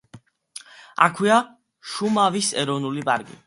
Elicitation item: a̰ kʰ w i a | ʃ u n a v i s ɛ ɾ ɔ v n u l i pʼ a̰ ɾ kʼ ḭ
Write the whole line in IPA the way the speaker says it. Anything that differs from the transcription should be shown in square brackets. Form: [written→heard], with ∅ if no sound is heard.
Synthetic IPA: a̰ kʰ w i a | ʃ u [n→m] a v i s ɛ ɾ ɔ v n u l i pʼ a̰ ɾ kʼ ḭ